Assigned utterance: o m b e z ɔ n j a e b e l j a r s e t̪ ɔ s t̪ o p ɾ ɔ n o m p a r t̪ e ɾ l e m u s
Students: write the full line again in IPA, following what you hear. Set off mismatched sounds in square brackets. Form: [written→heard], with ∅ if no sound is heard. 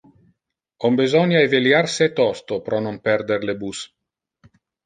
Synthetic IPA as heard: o m b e z ɔ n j a e [b→v] e l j a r s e t̪ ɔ s t̪ o p ɾ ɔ n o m p [a→ɛ] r [t̪→d̪] e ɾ l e [m→b] u s